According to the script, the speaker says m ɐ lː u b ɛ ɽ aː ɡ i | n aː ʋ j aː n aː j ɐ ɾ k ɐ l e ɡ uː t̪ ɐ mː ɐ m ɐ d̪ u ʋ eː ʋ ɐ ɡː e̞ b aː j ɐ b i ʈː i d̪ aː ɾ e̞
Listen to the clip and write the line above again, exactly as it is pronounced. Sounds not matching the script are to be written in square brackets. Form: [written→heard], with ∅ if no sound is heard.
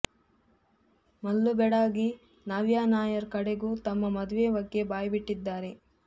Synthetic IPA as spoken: m ɐ lː u b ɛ ɽ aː ɡ i | n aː ʋ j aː n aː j ɐ ɾ k ɐ [l→ɽ] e ɡ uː t̪ ɐ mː ɐ m ɐ d̪ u ʋ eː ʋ ɐ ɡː e̞ b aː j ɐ b i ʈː i [d̪→d̪ː] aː ɾ e̞

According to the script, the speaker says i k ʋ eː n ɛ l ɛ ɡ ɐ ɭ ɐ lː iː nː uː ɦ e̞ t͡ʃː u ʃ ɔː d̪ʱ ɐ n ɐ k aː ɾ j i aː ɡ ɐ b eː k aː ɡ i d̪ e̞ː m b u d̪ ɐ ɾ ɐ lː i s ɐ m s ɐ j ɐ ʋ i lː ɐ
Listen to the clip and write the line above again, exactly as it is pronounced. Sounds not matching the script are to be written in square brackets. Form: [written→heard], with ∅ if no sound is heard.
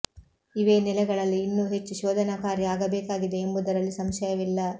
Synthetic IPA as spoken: i [k→∅] ʋ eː n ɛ l ɛ ɡ ɐ ɭ ɐ lː iː nː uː ɦ e̞ t͡ʃː u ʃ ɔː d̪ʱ ɐ n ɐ k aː ɾ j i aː ɡ ɐ b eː k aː ɡ i d̪ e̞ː m b u d̪ ɐ ɾ ɐ lː i s ɐ m [s→ʃ] ɐ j ɐ ʋ i lː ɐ

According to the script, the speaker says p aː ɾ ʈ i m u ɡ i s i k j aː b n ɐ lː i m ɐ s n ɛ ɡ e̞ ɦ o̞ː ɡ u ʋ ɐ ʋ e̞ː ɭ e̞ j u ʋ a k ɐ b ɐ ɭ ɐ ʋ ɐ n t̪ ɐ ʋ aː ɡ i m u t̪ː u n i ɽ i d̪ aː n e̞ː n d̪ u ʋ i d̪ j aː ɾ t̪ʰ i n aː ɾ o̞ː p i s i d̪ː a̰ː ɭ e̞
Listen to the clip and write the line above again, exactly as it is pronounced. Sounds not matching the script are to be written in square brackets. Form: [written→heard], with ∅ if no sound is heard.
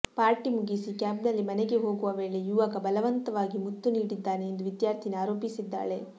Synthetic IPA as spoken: p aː ɾ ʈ i m u ɡ i s i k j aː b n ɐ lː i m ɐ [s→∅] n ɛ ɡ e̞ ɦ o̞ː ɡ u ʋ ɐ ʋ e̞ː ɭ e̞ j u ʋ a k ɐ b ɐ [ɭ→l] ɐ ʋ ɐ n t̪ ɐ ʋ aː ɡ i m u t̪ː u n [i→iː] ɽ i [d̪→d̪ː] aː n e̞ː n d̪ u ʋ i d̪ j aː ɾ t̪ʰ i n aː ɾ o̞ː p i s i d̪ː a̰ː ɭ e̞

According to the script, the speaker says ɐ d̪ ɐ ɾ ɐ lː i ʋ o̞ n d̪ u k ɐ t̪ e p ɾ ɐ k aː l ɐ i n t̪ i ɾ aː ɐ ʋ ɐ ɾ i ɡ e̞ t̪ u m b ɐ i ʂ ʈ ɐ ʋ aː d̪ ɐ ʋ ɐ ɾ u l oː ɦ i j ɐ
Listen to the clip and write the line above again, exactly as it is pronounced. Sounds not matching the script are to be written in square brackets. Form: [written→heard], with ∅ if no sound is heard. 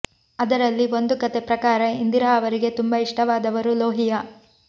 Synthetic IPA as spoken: ɐ d̪ ɐ ɾ ɐ lː i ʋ o̞ n d̪ u k ɐ t̪ e p ɾ ɐ k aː [l→ɾ] ɐ i n [t̪→d̪] i ɾ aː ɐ ʋ ɐ ɾ i ɡ e̞ t̪ u m b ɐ i ʂ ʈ ɐ ʋ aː d̪ ɐ ʋ ɐ ɾ u l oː ɦ i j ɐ

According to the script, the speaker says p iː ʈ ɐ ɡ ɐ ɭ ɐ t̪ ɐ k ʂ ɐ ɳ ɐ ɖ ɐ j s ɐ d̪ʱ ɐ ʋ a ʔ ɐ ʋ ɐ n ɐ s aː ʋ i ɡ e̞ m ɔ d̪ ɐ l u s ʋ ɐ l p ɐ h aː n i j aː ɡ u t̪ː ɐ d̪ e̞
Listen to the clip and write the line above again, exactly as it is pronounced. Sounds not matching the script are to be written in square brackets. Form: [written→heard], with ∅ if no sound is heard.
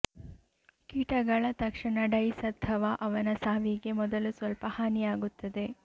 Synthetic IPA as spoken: [p→k] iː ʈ ɐ ɡ ɐ ɭ ɐ t̪ ɐ k ʂ ɐ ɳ ɐ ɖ ɐ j s ɐ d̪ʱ ɐ ʋ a ʔ ɐ ʋ ɐ n ɐ s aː ʋ i ɡ e̞ m ɔ d̪ ɐ l u s ʋ ɐ l p ɐ h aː n i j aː ɡ u t̪ː ɐ d̪ e̞

